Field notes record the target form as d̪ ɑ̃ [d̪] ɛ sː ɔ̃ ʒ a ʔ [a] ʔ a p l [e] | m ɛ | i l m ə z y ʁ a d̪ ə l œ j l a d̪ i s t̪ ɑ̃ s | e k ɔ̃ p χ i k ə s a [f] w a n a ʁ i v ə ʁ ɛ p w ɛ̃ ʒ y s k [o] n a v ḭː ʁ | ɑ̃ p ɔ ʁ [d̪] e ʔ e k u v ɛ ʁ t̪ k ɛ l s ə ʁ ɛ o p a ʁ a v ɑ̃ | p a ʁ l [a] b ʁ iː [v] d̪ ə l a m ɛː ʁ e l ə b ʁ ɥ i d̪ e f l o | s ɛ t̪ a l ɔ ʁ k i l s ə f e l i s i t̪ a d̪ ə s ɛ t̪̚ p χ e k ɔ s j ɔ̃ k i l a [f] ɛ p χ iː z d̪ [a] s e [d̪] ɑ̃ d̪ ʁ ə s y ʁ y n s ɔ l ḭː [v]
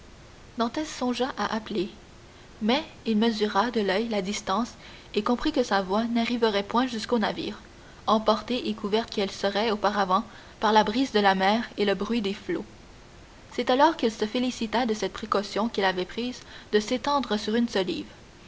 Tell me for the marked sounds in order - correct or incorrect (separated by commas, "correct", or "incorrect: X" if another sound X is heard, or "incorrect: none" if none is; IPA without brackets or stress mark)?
incorrect: t̪, correct, correct, incorrect: v, correct, incorrect: t̪, correct, incorrect: z, incorrect: v, incorrect: ə, incorrect: t̪, correct